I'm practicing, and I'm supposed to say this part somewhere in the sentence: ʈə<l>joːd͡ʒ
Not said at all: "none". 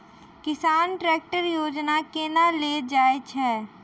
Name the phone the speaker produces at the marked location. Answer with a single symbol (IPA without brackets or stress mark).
ɾ